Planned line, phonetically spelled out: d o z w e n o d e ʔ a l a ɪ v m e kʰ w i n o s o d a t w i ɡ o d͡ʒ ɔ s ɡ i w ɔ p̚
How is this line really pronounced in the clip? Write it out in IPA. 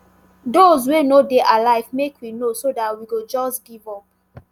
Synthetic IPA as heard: d o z w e n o d e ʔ a l a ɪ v m e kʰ w i n o s o d a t w i ɡ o d͡ʒ ɔ s ɡ i v ɔ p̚